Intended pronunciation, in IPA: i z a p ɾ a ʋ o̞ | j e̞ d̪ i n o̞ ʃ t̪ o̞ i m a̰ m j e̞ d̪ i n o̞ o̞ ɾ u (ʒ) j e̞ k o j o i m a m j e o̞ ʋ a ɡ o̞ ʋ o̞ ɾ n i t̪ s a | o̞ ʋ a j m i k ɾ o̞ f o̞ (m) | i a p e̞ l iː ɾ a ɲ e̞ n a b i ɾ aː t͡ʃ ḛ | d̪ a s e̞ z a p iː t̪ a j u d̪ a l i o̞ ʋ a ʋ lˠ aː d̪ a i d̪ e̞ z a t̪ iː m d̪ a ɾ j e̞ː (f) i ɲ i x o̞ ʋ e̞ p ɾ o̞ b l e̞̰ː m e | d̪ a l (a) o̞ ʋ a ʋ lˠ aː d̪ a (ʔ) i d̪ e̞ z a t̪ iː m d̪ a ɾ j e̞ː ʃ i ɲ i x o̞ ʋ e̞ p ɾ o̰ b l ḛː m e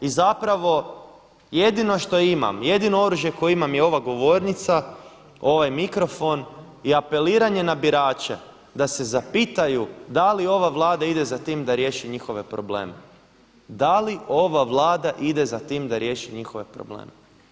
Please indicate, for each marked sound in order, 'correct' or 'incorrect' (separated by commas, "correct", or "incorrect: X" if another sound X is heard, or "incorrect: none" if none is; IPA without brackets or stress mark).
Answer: correct, incorrect: n, incorrect: ʃ, incorrect: i, correct